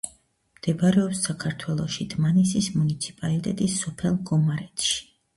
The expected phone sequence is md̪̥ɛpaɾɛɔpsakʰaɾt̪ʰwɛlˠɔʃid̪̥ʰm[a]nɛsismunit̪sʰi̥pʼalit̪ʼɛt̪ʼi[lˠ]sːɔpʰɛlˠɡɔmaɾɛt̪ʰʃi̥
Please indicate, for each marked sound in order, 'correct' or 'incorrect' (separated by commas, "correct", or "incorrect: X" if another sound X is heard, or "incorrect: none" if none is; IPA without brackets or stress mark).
correct, incorrect: none